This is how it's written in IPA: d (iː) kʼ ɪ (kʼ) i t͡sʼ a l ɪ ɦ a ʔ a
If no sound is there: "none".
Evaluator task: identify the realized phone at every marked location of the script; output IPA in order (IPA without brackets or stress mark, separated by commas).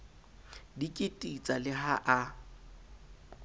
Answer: i, tʼ